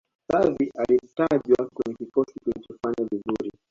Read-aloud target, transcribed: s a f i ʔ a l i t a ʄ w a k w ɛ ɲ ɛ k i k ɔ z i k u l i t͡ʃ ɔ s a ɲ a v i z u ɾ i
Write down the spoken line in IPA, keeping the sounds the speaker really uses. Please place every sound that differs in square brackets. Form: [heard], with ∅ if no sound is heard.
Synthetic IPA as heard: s a [v] i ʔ a l i t a ʄ w a k w ɛ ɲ ɛ k i k ɔ [s] i k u l i t͡ʃ ɔ [f] a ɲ a v i z u ɾ i

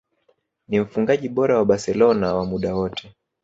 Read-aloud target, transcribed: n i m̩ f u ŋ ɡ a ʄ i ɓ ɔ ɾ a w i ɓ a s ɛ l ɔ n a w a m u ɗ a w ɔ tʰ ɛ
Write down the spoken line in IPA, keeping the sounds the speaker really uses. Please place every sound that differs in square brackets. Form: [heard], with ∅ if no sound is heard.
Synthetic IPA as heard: n i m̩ f u ŋ ɡ a ʄ i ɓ ɔ ɾ a w [a] ɓ a s ɛ l ɔ n a w a m u ɗ a w ɔ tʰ ɛ

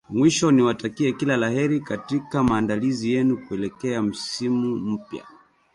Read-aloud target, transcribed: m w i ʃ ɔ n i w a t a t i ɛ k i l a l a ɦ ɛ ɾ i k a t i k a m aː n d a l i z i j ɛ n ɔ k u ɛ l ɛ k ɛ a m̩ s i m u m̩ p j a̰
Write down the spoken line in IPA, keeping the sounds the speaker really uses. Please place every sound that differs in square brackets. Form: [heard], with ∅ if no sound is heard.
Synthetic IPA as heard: m w i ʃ ɔ n i w a t a [k] i ɛ k i l a l a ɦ ɛ ɾ i k a t i k a m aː n d a l i z i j ɛ n [u] k u ɛ l ɛ k ɛ a m̩ s i m u m̩ p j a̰

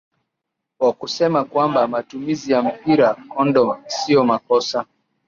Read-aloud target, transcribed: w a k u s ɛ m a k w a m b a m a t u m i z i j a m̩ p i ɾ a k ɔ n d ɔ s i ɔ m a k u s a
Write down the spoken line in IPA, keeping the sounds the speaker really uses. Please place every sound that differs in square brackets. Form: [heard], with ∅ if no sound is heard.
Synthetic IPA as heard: w a k u s ɛ m a k w a m b a m a t u m i z i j a m̩ p i ɾ a k ɔ n d ɔ s i ɔ m a k [ɔ] s a

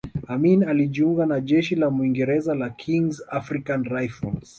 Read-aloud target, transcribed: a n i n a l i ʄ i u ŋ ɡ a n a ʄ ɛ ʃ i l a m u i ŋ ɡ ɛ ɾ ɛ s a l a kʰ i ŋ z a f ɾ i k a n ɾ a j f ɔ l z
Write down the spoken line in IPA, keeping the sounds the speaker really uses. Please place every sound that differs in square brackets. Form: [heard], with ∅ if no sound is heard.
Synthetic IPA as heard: a [m] i n a l i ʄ i u ŋ ɡ a n a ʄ ɛ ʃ i l a m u i ŋ ɡ ɛ ɾ ɛ [z] a l a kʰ i ŋ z a f ɾ i k a n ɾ a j f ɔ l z

